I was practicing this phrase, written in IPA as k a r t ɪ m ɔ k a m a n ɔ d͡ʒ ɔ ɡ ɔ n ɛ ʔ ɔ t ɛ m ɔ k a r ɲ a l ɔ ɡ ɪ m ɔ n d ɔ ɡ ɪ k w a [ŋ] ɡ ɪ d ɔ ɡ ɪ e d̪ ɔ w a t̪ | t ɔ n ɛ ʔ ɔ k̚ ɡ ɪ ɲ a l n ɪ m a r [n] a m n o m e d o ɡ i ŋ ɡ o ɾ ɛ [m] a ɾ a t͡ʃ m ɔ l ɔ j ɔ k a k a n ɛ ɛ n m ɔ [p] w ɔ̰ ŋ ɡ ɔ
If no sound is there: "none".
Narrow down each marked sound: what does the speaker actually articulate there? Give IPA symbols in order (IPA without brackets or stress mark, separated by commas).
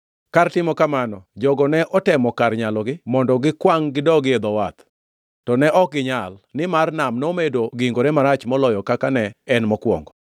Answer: ŋ, n, m, k